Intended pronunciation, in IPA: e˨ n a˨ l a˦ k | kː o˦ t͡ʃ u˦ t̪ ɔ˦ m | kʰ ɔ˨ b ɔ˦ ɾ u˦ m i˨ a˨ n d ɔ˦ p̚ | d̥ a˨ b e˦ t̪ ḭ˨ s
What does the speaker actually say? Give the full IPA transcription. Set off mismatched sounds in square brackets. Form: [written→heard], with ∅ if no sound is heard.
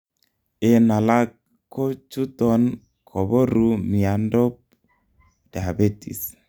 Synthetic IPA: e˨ n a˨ l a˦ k | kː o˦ t͡ʃ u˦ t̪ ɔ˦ [m→n] | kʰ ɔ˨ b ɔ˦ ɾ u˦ m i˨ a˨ n d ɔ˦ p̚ | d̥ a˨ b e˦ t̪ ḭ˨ s